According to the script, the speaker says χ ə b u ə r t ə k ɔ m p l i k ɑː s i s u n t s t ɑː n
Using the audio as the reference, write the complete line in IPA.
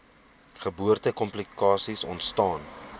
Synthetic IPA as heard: χ ə b u ə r t ə k ɔ m p l i k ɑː s i s ɔ n t s t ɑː n